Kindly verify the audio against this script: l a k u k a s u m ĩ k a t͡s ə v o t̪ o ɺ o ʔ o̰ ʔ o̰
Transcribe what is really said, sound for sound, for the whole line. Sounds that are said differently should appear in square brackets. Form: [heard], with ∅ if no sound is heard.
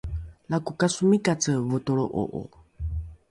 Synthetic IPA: l a k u k a s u m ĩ k a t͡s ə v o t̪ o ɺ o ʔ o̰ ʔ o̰